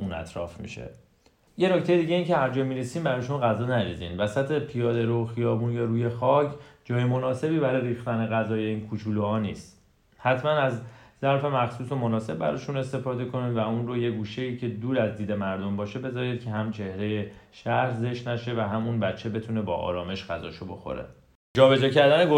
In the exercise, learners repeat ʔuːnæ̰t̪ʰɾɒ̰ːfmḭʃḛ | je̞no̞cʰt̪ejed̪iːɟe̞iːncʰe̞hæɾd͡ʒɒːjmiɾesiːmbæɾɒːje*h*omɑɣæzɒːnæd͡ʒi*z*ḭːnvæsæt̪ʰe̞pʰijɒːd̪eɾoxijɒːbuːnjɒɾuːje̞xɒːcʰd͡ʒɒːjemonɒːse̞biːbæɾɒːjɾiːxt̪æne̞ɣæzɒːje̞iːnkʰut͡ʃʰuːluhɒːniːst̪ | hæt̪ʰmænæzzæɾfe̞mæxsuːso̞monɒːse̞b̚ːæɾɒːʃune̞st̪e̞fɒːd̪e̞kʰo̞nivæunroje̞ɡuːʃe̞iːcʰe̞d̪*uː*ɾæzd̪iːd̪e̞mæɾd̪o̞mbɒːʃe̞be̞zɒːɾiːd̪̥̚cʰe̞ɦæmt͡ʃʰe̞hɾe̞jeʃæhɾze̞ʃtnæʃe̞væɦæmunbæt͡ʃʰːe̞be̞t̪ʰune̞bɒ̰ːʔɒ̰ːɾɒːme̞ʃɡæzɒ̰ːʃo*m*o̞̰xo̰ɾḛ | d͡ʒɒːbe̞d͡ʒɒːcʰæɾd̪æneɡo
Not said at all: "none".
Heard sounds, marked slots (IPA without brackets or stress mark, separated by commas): ʃ, z, uː, b